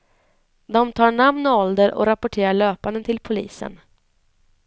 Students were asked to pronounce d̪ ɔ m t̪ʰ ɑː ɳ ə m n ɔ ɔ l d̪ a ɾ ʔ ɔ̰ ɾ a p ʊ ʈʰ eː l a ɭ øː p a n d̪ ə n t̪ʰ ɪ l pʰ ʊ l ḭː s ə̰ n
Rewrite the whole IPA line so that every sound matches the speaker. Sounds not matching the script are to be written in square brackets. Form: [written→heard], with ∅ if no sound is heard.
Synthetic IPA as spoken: d̪ ɔ m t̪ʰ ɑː ɳ [ə→a] m n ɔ ɔ l d̪ [a→ə] ɾ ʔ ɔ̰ ɾ a p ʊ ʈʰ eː [l→ɾ] a ɭ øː p a n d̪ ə n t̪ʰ ɪ l pʰ ʊ l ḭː s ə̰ n